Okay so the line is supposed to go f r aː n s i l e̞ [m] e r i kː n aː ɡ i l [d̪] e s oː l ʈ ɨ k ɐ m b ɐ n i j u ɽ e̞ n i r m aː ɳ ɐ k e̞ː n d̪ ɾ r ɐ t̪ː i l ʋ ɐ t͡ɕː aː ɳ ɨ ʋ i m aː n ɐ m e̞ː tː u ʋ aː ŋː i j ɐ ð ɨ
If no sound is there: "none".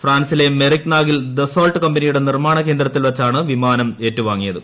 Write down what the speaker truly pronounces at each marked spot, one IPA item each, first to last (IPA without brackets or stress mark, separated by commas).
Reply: m, d̪